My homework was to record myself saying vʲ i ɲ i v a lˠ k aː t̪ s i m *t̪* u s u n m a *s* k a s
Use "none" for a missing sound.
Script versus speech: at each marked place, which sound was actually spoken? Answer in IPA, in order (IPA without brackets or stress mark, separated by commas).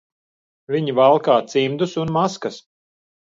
d̪, s